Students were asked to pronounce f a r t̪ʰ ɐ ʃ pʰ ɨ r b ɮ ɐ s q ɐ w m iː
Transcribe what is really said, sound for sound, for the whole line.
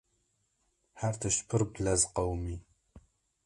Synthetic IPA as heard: ħ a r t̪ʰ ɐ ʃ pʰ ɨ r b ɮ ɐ z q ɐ w m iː